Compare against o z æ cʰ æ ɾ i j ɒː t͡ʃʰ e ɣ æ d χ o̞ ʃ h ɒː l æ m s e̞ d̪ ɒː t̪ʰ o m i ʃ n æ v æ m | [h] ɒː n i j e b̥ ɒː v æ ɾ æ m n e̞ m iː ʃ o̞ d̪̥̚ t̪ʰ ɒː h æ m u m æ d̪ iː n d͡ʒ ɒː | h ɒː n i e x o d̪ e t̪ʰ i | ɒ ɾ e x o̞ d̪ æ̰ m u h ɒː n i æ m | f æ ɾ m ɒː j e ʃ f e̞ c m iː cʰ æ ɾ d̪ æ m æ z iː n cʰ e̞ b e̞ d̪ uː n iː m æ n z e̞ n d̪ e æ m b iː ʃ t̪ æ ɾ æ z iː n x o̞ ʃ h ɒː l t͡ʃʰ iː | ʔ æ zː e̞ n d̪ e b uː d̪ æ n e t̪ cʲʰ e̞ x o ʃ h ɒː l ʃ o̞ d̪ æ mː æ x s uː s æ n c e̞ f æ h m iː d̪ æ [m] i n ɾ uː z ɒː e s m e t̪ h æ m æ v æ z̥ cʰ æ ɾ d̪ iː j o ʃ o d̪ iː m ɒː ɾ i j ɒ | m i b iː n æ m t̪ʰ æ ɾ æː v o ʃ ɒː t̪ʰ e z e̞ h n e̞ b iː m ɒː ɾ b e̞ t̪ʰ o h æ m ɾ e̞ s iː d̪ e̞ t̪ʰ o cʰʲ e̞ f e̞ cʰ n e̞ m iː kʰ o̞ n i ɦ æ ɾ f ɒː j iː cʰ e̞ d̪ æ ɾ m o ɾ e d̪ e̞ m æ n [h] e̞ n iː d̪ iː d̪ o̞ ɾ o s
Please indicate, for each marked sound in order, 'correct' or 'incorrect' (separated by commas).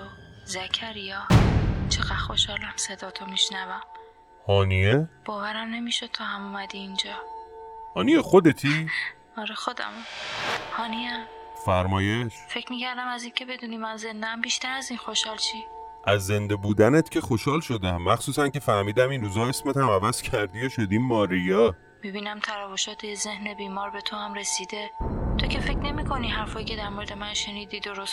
correct, correct, incorrect